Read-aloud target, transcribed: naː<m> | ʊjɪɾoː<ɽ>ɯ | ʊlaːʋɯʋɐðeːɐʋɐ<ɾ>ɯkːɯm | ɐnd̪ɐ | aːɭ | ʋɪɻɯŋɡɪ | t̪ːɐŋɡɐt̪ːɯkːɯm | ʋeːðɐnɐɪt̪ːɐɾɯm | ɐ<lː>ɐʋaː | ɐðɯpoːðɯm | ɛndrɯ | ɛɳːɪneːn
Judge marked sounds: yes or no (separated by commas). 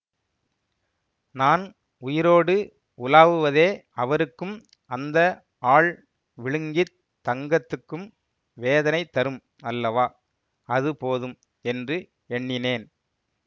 no, yes, yes, yes